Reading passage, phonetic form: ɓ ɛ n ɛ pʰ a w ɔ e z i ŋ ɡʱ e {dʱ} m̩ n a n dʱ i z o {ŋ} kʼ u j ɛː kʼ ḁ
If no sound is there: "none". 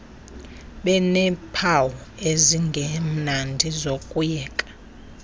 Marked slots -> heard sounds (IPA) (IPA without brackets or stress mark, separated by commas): none, none